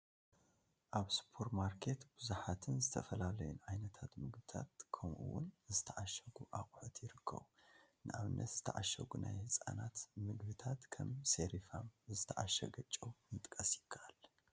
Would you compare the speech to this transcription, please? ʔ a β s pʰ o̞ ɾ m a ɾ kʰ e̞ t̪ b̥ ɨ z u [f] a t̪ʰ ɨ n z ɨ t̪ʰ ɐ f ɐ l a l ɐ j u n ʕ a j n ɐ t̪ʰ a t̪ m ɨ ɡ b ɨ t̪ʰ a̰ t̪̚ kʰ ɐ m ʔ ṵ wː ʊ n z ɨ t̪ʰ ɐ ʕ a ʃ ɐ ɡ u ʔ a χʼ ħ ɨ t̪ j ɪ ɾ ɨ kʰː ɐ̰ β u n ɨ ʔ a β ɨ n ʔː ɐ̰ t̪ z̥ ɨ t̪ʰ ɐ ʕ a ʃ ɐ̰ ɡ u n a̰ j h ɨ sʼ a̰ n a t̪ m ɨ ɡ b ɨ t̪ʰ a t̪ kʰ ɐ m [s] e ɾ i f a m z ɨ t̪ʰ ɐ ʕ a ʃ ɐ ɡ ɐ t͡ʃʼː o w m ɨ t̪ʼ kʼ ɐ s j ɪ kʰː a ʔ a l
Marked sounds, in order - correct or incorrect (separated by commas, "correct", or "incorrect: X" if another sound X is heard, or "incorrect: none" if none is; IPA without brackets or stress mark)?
incorrect: ħ, correct